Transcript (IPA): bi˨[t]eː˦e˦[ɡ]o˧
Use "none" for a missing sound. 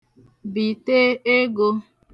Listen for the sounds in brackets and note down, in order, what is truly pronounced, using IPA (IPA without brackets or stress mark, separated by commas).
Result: t, ɡ